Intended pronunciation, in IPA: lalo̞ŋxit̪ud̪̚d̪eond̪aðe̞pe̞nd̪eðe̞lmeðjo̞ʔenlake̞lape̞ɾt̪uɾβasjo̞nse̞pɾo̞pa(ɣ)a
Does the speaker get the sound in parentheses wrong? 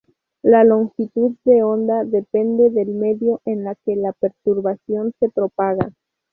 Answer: no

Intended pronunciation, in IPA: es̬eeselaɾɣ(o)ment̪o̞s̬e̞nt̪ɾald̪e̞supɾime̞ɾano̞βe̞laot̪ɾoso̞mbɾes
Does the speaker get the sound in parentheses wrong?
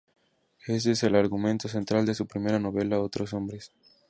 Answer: yes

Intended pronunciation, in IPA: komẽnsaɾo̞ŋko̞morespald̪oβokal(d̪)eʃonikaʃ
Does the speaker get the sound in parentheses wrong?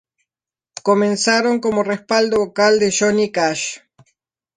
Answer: no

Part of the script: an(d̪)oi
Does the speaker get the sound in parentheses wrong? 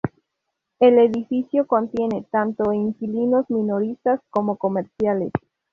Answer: yes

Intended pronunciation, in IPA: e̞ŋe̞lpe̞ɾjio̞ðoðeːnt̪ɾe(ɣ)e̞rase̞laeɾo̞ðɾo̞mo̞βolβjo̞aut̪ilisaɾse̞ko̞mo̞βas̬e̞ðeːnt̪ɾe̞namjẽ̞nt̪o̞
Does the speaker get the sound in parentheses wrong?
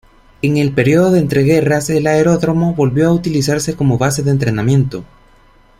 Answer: no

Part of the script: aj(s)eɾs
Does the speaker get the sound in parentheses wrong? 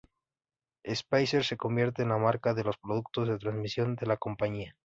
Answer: no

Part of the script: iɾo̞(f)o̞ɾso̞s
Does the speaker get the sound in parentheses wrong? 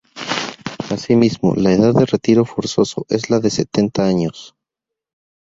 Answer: no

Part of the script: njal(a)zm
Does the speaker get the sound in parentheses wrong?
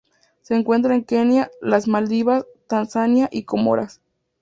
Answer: no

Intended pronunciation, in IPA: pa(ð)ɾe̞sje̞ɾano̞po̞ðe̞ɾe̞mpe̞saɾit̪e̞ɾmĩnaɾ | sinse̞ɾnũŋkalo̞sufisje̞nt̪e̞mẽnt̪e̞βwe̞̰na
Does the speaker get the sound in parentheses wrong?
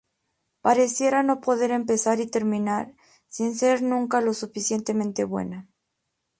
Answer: yes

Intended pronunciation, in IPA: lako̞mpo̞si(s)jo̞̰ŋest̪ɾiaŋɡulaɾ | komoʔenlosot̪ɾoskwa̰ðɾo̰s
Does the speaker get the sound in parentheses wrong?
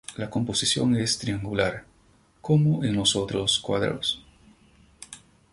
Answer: no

